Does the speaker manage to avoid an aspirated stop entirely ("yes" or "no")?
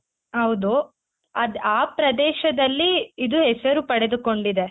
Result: yes